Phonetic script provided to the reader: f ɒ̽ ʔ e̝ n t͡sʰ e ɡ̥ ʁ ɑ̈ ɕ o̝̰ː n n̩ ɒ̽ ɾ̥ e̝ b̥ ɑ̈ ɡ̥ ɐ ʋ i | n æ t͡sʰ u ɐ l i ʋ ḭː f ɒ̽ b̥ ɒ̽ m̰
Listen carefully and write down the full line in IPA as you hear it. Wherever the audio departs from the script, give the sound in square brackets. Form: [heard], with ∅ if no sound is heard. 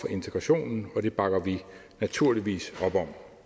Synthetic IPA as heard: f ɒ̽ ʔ e̝ n t͡sʰ e ɡ̥ ʁ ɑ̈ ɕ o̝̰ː n n̩ ɒ̽ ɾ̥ e̝ b̥ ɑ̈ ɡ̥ ɐ ʋ i | n æ t͡sʰ u ɐ l i ʋ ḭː [s] ɒ̽ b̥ ɒ̽ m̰

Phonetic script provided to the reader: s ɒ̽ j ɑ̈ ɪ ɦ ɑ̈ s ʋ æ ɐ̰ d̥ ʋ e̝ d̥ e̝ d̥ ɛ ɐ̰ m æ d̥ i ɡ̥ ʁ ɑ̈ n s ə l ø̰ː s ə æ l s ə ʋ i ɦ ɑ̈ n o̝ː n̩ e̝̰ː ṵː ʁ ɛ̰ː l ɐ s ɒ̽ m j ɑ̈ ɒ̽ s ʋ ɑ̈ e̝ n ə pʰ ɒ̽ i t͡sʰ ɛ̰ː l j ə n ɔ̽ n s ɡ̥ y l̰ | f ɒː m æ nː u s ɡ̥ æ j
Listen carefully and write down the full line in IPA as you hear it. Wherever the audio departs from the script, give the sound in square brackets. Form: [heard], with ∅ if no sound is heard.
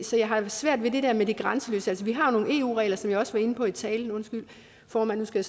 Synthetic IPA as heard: s ɒ̽ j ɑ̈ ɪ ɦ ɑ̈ s ʋ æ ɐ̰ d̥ ʋ e̝ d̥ e̝ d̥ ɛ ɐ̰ m [e] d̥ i ɡ̥ ʁ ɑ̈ n s ə l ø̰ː s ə æ l s ə ʋ i ɦ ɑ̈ n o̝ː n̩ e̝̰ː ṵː ʁ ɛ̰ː l ɐ s ɒ̽ m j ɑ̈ ɒ̽ s ʋ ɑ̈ e̝ n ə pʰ ɒ̽ i t͡sʰ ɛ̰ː l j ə n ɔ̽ n s ɡ̥ y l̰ | f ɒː m æ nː u s ɡ̥ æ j

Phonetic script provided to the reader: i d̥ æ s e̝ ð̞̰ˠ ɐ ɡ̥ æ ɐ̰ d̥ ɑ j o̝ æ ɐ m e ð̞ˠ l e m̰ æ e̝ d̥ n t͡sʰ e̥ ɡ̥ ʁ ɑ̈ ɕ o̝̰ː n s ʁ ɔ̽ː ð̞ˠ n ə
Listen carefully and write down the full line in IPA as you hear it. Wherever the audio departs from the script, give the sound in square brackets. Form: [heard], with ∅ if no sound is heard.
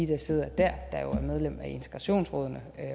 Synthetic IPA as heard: i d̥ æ s e̝ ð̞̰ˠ ɐ [d̥] æ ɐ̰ d̥ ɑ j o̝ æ ɐ m e ð̞ˠ l e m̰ æ e̝ [∅] n t͡sʰ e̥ ɡ̥ ʁ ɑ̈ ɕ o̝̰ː n s ʁ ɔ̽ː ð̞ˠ n ə

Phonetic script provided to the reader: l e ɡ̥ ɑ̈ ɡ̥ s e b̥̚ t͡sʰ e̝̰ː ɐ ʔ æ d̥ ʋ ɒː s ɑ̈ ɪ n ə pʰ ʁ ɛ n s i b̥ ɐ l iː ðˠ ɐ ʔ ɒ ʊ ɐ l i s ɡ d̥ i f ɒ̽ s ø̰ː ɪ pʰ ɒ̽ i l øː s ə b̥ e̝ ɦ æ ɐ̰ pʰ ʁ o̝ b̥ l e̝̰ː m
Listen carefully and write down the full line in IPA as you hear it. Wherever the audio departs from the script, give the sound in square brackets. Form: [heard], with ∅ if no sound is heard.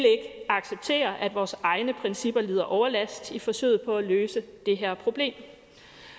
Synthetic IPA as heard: l e ɡ̥ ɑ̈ ɡ̥ s e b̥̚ t͡sʰ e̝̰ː ɐ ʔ æ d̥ ʋ ɒː s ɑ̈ ɪ n ə pʰ ʁ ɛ n s i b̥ ɐ l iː ðˠ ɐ ʔ ɒ ʊ ɐ l [æ] s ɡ d̥ i f ɒ̽ s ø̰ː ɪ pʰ ɒ̽ [æ] l øː s ə [d̥] e̝ ɦ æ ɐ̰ pʰ ʁ o̝ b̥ l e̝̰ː m

